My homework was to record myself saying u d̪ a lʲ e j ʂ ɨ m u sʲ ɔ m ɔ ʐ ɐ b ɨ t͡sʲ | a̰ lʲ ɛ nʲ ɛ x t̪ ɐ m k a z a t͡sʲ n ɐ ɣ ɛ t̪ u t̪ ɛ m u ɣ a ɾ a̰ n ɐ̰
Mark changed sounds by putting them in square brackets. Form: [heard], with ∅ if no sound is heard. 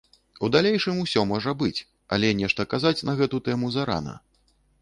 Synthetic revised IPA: u d̪ a lʲ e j ʂ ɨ m u sʲ ɔ m ɔ ʐ ɐ b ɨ t͡sʲ | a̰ lʲ ɛ nʲ ɛ [ʂ] t̪ ɐ [∅] k a z a t͡sʲ n ɐ ɣ ɛ t̪ u t̪ ɛ m u [z] a ɾ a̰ n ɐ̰